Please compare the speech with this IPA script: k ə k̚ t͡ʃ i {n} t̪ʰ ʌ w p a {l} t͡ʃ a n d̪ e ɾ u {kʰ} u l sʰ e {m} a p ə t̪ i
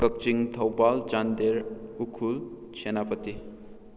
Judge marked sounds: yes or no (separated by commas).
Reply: no, yes, yes, no